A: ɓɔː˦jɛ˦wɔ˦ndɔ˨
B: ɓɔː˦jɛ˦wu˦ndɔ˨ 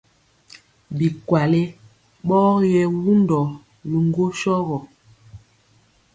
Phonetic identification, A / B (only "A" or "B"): B